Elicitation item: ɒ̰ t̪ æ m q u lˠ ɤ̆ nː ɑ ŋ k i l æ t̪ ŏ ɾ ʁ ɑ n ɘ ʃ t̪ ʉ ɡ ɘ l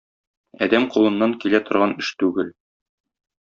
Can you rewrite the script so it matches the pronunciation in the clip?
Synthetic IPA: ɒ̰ d̪ æ m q u lˠ ɤ̆ nː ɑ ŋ k i l æ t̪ ŏ ɾ ʁ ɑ n ɘ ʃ t̪ ʉ ɡ ɘ l

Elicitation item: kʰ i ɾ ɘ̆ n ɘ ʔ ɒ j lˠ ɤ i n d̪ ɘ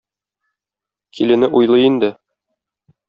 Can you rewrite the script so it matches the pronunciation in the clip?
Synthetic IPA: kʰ i l ɘ̆ n ɘ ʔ u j lˠ ɤ i n d̪ ɘ

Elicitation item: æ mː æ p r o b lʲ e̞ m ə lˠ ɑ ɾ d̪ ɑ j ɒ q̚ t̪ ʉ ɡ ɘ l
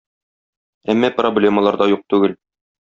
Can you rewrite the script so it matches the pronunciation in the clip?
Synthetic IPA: æ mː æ p r o b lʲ e̞ m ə lˠ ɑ ɾ d̪ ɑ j u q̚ t̪ ʉ ɡ ɘ l

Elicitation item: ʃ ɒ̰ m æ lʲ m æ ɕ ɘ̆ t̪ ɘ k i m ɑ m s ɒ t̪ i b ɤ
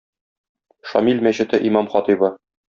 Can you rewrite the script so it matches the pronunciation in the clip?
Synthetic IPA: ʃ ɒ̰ m i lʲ m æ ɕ ɘ̆ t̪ ɘ ʔ i m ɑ m χ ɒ t̪ i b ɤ

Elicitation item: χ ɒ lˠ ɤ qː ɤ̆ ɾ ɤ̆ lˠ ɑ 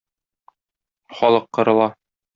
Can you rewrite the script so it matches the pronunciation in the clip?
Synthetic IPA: χ ɒ lˠ ɤ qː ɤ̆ ɾ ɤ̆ lˠ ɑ

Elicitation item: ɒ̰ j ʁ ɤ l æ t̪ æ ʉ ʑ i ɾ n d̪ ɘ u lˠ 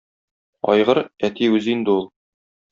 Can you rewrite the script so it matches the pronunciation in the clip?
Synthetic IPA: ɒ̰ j ʁ ɤ ɾ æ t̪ i ʉ z i n d̪ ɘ u lˠ

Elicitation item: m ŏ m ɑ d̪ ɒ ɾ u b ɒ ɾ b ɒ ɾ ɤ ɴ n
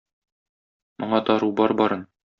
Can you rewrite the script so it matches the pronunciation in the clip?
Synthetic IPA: m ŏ ɴ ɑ t̪ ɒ ɾ u b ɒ ɾ b ɒ ɾ ɤ n

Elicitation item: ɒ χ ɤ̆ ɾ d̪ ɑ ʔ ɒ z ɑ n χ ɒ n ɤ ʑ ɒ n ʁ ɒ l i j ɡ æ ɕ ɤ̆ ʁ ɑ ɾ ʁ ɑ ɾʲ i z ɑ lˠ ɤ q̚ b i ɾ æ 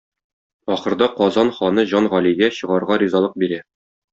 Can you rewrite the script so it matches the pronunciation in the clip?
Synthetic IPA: ɒ χ ɤ̆ ɾ d̪ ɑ q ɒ z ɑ n χ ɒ n ɤ ʑ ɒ n ʁ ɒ l i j ɡ æ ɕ ɤ̆ ʁ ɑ ɾ ʁ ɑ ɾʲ i z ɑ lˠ ɤ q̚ b i ɾ æ

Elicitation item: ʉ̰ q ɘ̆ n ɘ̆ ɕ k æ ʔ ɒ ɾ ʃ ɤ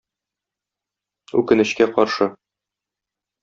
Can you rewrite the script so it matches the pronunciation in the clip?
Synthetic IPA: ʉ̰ k ɘ̆ n ɘ̆ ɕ k æ q ɒ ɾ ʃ ɤ

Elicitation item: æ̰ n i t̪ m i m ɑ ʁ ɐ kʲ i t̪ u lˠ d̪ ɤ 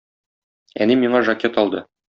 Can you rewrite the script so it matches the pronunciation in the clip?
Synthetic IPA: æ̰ n i m i ɴ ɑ ʒ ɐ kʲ e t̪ ɒ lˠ d̪ ɤ

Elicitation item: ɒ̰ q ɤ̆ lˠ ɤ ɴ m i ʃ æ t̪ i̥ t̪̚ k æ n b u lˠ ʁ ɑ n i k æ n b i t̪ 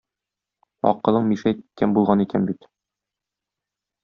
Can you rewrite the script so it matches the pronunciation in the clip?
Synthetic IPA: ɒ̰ q ɤ̆ lˠ ɤ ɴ m i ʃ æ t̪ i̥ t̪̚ k æ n b u lˠ ʁ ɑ n i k æ n b i t̪

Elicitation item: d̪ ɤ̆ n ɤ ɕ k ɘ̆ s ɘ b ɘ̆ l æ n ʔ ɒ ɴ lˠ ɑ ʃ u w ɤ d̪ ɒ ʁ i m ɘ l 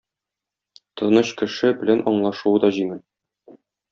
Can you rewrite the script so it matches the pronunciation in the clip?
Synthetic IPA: t̪ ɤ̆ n ɤ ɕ k ɘ̆ ʃ ɘ b ɘ̆ l æ n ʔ ɒ ɴ lˠ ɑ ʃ u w ɤ d̪ ɒ ʑ i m ɘ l

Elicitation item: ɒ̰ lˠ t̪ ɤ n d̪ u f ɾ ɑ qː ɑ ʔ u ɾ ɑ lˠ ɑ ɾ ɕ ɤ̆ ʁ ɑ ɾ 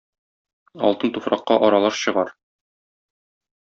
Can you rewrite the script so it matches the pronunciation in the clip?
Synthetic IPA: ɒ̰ lˠ t̪ ɤ n t̪ u f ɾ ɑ qː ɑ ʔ ɒ ɾ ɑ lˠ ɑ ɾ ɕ ɤ̆ ʁ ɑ ɾ

